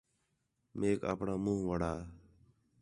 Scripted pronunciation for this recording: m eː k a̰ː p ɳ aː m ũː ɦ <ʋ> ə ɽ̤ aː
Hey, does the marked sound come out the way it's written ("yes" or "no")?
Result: yes